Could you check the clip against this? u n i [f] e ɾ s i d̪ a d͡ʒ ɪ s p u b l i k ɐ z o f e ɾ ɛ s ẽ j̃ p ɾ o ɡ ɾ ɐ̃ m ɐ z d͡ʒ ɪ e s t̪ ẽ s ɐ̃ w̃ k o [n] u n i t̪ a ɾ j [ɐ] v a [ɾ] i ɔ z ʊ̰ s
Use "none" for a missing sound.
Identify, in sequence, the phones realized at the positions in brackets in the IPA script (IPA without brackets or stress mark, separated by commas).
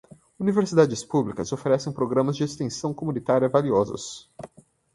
v, m, ɐ, l